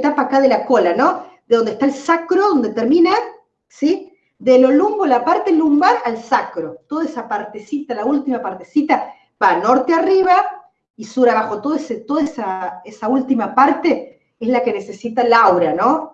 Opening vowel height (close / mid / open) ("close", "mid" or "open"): open